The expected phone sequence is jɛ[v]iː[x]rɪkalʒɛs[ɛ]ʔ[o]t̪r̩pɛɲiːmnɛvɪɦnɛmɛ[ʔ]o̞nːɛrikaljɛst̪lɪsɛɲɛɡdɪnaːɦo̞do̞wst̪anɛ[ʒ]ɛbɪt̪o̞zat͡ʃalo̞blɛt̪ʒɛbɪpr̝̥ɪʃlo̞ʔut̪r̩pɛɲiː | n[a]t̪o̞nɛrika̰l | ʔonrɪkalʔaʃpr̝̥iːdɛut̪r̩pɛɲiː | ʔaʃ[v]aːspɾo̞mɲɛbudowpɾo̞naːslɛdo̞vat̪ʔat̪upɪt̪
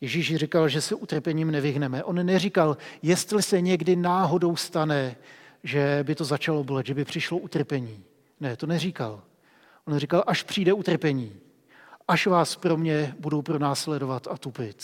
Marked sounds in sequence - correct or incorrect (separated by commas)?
incorrect, incorrect, correct, incorrect, correct, correct, incorrect, correct